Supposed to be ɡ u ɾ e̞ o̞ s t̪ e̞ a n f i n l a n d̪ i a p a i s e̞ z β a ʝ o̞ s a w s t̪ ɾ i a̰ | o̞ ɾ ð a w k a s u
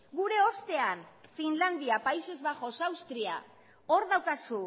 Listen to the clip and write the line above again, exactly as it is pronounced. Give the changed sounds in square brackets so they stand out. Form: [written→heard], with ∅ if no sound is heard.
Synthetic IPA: ɡ u ɾ e̞ o̞ s t̪ e̞ a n f i n l a n d̪ i a p a i s e̞ z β a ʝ o̞ s a w s t̪ ɾ i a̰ | o̞ ɾ ð a w k a s u